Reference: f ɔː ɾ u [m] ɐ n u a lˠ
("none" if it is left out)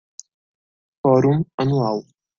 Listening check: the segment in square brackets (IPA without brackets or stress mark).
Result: m